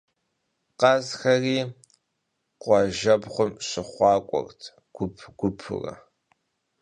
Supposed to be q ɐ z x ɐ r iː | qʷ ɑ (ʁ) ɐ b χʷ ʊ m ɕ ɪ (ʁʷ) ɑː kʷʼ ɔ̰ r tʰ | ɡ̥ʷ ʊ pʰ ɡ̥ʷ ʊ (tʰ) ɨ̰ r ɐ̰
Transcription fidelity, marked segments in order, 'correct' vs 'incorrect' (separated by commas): incorrect, incorrect, incorrect